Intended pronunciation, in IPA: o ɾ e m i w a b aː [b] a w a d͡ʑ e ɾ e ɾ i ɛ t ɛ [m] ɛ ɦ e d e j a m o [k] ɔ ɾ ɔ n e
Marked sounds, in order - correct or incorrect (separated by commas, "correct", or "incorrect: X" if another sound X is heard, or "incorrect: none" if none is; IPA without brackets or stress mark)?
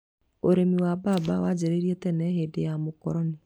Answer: correct, incorrect: n, correct